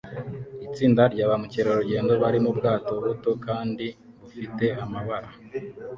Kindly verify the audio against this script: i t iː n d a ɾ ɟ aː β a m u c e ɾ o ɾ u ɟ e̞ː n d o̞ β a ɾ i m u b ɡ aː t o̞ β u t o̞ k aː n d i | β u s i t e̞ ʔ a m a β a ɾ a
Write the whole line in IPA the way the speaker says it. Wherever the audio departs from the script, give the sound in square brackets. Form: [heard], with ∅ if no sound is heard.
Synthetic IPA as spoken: i [t͡s] iː n d a ɾ ɟ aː β a m u c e ɾ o ɾ u ɟ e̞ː n d o̞ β a ɾ i m u b ɡ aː t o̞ β u t o̞ k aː n d i | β u [f] i t e̞ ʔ a m a β a ɾ a

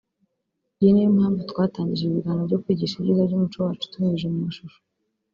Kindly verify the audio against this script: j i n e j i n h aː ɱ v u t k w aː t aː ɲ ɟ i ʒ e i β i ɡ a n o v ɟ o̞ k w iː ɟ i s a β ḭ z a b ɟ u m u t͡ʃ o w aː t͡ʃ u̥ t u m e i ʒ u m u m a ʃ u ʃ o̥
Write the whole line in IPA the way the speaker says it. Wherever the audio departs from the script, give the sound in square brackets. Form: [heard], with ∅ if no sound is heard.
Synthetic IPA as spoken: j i n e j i [m] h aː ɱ v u t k w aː t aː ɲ ɟ i ʒ e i β i ɡ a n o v ɟ o̞ k w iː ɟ i [ʃ] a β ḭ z a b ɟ u m u t͡ʃ o w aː t͡ʃ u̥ t u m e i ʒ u m u m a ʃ u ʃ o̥

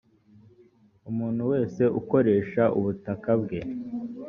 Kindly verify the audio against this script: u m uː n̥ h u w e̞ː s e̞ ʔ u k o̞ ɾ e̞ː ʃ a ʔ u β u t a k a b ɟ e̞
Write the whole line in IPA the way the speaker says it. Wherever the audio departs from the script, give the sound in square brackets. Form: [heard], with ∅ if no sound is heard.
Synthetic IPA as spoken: u m uː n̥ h u w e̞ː s e̞ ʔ u k o̞ ɾ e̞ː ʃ a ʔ u β u t a k a b [ɡ] e̞

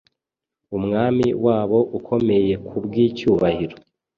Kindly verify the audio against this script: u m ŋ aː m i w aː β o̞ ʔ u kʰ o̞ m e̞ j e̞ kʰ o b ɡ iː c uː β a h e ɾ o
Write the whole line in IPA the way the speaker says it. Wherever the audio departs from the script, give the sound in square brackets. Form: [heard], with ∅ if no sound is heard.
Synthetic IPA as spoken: u m ŋ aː m i w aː β o̞ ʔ u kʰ o̞ m e̞ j e̞ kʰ [u] b ɡ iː c uː β a h [i] ɾ o

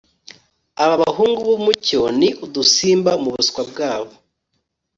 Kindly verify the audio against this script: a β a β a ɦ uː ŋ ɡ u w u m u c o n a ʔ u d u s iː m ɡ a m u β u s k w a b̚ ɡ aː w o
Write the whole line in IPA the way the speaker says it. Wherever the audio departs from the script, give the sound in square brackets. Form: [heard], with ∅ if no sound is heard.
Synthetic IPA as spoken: a β a β a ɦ uː ŋ ɡ u [β] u m u c o n [i] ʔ u d u s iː m [b] a m u β u s k w a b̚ ɡ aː [β] o

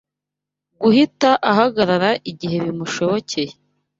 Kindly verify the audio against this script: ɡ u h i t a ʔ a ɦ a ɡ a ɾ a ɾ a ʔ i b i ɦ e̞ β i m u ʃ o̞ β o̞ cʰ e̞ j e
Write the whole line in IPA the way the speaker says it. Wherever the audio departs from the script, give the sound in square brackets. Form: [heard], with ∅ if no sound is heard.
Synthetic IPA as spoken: ɡ u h i t a ʔ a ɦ a ɡ a ɾ a ɾ a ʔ i [ɟ] i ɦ e̞ β i m u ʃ o̞ β o̞ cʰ e̞ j e

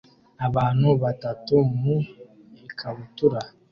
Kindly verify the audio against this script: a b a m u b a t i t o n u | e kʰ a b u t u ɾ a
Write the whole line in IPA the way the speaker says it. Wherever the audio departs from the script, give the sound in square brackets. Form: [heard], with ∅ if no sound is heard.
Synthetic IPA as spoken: a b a [n] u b a t [a] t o [m] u | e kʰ a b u t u ɾ a

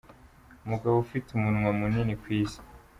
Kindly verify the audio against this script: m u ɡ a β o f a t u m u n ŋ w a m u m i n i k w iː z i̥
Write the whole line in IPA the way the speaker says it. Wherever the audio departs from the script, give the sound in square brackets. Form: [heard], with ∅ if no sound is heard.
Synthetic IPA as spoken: m u ɡ a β o f [i] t u m u n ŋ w a m u [n] i n i k w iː [s] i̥

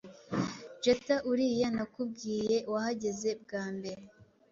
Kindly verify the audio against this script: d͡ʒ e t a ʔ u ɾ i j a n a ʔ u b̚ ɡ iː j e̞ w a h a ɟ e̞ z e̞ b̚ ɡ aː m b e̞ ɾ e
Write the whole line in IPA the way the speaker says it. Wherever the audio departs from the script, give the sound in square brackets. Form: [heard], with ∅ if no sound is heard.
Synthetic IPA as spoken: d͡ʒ e t a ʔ u ɾ i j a n a [k] u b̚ ɡ iː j e̞ w a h a ɟ e̞ z e̞ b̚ ɡ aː m b e̞ ɾ e

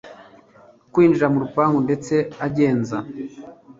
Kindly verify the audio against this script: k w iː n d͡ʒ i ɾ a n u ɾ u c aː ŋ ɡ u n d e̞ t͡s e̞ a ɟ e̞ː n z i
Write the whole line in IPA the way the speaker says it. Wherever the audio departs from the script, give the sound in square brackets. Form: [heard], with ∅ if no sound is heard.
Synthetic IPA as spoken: k w iː n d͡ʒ i ɾ a [m] u ɾ u [p] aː ŋ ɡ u n d e̞ t͡s e̞ a ɟ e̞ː n z [a]

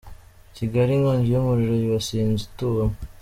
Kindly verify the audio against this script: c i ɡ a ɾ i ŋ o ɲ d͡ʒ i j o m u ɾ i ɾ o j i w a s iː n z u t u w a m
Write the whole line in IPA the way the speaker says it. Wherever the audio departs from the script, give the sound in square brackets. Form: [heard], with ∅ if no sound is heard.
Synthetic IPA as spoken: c i ɡ a ɾ i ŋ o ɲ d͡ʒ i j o m u ɾ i ɾ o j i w a s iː n z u t u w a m

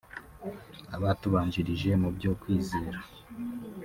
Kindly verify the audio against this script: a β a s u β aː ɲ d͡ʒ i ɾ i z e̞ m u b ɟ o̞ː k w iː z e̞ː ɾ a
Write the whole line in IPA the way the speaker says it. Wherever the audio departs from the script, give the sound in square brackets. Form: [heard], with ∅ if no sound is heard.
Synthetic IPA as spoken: a β a [t] u β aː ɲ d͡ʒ i ɾ i [ʒ] e̞ m u b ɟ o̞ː k w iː z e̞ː ɾ a

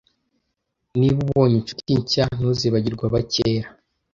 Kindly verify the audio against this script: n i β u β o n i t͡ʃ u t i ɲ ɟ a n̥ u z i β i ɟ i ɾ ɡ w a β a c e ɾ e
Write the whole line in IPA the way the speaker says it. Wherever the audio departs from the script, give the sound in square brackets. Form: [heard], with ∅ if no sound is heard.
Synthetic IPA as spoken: n i β u β o [ɲ] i t͡ʃ u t i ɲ [c] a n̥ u z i β [a] ɟ i ɾ ɡ w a β a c e ɾ [a]

